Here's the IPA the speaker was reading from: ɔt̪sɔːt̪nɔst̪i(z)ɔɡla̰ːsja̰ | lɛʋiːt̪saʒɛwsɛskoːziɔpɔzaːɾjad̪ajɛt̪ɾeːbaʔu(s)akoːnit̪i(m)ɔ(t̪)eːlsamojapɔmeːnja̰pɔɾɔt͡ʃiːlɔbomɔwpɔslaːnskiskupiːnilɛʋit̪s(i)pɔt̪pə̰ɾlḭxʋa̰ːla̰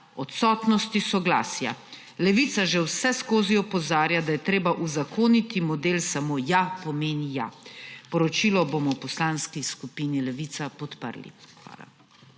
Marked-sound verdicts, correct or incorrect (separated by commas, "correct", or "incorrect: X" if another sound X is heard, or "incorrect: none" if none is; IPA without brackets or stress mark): incorrect: s, incorrect: z, correct, incorrect: d̪, incorrect: a